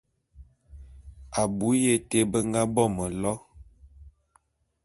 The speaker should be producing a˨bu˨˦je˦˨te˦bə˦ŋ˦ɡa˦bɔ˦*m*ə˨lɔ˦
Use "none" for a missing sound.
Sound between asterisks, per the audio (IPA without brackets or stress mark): m